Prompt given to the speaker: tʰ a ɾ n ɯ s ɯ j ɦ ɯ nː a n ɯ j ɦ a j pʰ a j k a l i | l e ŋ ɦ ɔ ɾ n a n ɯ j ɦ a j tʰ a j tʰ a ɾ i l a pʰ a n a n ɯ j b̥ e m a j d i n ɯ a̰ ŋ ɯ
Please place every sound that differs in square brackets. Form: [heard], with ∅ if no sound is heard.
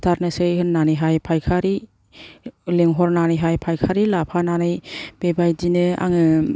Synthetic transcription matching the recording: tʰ a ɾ n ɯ s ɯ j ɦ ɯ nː a n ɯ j ɦ a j pʰ a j [kʰ] a [ɾ] i | l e ŋ ɦ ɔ ɾ n a n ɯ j ɦ a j [pʰ] a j [kʰ] a ɾ i l a pʰ a n a n ɯ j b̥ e [b] a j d i n ɯ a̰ ŋ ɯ